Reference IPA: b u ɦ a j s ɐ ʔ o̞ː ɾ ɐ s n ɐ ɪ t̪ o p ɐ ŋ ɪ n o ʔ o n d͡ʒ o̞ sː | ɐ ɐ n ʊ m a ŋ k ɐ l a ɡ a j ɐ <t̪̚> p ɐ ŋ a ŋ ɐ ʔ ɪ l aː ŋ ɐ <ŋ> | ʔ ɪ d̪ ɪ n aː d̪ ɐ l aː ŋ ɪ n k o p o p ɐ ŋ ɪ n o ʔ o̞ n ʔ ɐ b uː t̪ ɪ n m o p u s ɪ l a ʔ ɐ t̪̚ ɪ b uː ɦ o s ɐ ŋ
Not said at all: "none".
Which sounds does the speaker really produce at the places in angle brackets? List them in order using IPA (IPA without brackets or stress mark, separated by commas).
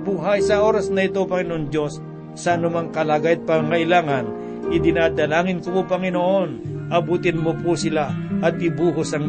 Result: t̪̚, n